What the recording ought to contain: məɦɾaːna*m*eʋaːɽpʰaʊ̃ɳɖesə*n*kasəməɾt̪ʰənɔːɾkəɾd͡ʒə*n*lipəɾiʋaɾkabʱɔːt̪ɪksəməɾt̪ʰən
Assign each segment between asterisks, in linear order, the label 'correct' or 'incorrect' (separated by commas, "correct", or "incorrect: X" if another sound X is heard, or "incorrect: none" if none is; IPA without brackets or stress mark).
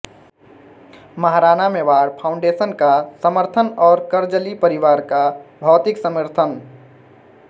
correct, correct, incorrect: none